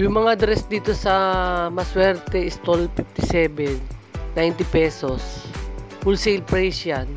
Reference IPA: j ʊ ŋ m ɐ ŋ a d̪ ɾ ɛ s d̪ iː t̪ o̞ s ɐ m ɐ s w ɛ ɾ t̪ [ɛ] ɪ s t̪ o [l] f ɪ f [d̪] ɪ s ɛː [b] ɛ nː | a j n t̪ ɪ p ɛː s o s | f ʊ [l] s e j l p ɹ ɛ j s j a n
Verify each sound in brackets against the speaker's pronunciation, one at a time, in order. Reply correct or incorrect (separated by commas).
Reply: correct, correct, incorrect, correct, correct